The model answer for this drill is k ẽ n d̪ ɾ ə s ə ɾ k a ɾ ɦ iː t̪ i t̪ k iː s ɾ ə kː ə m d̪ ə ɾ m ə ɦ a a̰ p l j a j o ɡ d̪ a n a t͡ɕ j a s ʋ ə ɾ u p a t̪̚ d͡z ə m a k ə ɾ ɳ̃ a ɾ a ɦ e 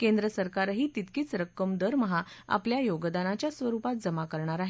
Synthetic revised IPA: k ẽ n d̪ ɾ ə s ə ɾ k a ɾ ɦ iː t̪ i t̪ k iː t͡s ɾ ə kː ə m d̪ ə ɾ m ə ɦ a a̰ p l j a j o ɡ d̪ a n a t͡ɕ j a s ʋ ə ɾ u p a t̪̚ d͡z ə m a k ə ɾ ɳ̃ a ɾ a ɦ e